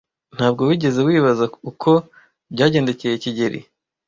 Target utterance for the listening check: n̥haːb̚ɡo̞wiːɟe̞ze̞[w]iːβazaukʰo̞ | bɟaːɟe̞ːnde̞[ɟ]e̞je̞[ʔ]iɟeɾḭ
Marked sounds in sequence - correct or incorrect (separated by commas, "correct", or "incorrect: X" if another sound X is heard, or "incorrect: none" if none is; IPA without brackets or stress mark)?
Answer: correct, incorrect: c, incorrect: c